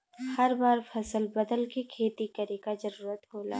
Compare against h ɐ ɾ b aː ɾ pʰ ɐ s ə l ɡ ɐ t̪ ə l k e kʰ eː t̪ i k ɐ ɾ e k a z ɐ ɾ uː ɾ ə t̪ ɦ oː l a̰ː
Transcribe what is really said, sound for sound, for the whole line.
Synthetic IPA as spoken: h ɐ ɾ b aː ɾ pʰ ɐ s ə l b ɐ d̪ ə l k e kʰ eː t̪ i k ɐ ɾ e k a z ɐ ɾ uː ɾ ə t̪ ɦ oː l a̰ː